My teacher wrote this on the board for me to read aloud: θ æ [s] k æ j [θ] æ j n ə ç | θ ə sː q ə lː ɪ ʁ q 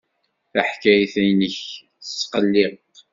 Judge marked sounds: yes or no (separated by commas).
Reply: no, yes